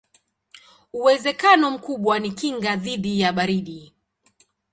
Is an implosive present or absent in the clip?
present